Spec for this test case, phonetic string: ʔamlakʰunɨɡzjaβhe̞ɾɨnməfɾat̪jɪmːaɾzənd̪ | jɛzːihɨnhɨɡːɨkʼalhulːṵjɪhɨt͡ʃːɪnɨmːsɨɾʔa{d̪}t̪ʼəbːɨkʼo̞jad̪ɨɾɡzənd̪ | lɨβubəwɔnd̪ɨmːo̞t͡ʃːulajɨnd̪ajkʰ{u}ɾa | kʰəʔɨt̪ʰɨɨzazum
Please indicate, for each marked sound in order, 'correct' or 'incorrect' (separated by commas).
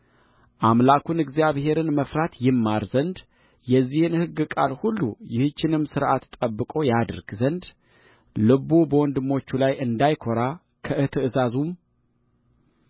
incorrect, incorrect